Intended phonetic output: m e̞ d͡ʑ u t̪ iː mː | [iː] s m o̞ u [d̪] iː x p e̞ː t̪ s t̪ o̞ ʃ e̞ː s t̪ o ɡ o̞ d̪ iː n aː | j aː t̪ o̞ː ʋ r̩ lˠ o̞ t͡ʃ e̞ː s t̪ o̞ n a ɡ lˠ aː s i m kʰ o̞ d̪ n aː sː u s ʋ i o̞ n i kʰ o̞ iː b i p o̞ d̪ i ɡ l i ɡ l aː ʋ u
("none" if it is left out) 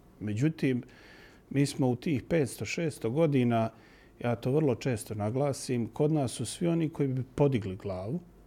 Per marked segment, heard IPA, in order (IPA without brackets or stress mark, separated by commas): iː, t̪